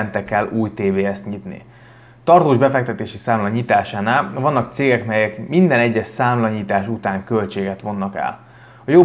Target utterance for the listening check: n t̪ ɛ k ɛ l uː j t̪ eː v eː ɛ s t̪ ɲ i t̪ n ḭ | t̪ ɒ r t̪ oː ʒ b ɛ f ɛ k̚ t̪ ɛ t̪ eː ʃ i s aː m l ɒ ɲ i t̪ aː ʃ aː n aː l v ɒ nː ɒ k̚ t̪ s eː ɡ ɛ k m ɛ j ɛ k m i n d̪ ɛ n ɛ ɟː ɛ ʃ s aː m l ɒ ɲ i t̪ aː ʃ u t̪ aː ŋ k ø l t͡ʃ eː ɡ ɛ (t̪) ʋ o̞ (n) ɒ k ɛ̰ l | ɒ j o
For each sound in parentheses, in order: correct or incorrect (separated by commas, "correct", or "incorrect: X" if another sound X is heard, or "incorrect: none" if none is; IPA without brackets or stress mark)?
correct, incorrect: nː